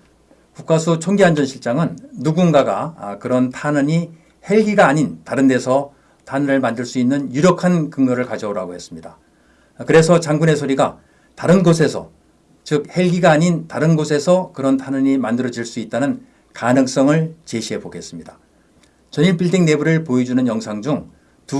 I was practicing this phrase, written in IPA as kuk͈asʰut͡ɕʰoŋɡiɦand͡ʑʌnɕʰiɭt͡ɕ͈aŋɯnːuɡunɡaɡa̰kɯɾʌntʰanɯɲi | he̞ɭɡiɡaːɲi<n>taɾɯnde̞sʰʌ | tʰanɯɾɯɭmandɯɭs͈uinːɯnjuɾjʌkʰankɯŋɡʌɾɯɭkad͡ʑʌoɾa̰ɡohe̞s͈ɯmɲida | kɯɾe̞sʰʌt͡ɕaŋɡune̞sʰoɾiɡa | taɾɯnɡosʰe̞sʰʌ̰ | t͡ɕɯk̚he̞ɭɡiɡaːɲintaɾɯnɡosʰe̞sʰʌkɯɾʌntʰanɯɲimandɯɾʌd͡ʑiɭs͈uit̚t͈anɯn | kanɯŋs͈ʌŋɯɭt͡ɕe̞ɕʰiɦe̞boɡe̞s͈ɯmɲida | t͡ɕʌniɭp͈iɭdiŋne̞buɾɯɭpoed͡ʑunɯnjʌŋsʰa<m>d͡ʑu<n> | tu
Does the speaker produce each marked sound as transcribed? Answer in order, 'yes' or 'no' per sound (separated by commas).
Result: yes, no, no